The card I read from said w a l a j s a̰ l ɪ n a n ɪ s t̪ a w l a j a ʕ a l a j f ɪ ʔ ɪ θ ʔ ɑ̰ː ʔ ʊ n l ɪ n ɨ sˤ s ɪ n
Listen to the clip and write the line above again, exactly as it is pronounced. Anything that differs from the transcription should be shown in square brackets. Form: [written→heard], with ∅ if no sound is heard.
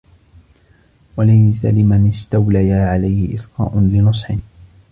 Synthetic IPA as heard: w a l a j s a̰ l ɪ [n→m] a n ɪ s t̪ a w l a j a ʕ a l a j [f→h] ɪ ʔ ɪ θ [ʔ→q] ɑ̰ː ʔ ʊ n l ɪ n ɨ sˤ [s→ħ] ɪ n